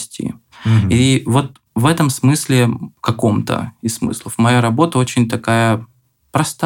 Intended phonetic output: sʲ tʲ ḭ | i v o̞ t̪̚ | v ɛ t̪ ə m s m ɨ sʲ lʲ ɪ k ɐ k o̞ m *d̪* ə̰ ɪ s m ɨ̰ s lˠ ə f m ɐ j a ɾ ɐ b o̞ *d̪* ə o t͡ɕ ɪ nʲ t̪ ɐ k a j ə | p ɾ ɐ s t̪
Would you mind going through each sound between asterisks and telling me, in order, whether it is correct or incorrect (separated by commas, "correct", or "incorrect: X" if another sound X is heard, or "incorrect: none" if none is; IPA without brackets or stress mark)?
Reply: incorrect: t̪, incorrect: t̪